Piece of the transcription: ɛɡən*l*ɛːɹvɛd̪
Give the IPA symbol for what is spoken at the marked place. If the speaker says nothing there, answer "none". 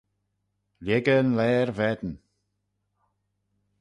l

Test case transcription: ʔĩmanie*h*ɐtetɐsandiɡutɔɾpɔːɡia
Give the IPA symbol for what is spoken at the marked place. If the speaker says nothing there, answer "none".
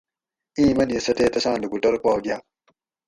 s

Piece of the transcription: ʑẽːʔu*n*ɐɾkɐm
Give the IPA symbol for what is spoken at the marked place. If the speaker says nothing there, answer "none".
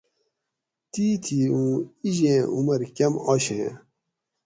m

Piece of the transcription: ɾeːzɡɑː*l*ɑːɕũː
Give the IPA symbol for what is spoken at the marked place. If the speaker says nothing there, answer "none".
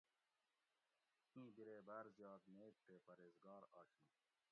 ɾ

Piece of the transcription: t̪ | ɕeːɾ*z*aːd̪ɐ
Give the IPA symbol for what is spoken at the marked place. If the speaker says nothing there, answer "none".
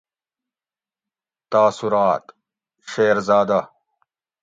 z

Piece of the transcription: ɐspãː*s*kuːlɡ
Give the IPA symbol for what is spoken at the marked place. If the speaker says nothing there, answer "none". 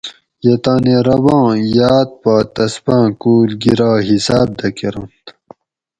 none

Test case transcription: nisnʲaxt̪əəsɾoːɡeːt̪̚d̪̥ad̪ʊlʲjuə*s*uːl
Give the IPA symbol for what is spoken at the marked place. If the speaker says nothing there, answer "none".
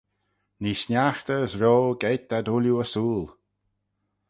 s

